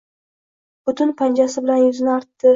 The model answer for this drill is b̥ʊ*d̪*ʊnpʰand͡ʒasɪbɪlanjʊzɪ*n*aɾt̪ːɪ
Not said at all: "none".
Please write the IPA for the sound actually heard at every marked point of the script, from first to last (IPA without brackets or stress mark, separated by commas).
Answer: t̪, n